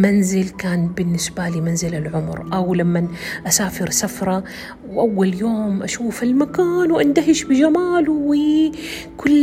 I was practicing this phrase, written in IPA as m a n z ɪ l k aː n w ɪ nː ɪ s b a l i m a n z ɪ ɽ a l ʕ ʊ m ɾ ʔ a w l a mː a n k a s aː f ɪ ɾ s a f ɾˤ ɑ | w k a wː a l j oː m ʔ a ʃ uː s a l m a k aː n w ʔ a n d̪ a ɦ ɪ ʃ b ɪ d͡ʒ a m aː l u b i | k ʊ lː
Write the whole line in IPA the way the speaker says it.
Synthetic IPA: m a n z ɪ l k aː n b ɪ nː ɪ s b a l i m a n z ɪ l a l ʕ ʊ m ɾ ʔ a w l a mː a n ʔ a s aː f ɪ ɾ s a f ɾˤ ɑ | w ʔ a wː a l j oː m ʔ a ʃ uː f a l m a k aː n w ʔ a n d̪ a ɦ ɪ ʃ b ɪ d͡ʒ a m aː l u w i | k ʊ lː